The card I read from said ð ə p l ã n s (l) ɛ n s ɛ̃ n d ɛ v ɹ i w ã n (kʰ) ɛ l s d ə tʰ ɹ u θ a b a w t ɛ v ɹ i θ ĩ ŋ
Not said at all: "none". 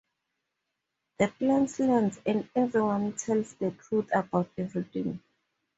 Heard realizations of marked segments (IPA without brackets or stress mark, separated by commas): l, tʰ